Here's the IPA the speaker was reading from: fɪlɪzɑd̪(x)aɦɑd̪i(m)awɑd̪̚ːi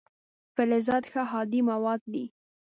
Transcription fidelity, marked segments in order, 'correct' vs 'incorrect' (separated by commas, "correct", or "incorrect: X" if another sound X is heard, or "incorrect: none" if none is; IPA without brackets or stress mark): correct, correct